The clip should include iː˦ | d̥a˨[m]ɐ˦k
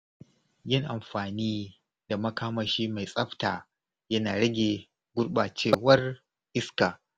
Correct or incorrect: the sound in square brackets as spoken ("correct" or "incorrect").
correct